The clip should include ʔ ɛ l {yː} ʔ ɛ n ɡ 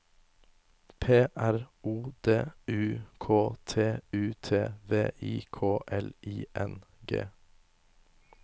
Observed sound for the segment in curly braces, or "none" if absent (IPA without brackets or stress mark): iː